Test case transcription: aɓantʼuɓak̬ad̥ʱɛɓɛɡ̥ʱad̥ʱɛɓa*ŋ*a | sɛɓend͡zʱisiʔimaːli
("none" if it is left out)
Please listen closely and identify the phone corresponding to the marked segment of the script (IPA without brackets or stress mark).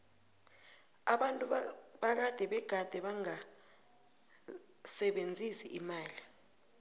ŋ